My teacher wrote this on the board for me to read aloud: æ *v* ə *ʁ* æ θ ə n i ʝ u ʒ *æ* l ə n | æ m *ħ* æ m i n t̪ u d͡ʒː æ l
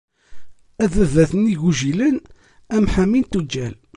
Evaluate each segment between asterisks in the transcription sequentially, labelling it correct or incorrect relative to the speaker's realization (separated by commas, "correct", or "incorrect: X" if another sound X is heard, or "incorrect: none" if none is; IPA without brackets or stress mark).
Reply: incorrect: ð, incorrect: ð, incorrect: i, correct